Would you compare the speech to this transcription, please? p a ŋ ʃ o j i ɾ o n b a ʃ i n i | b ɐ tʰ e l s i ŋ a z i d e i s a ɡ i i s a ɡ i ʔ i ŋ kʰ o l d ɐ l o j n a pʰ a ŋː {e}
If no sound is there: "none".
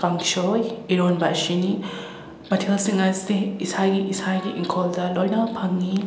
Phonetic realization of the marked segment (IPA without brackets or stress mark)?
i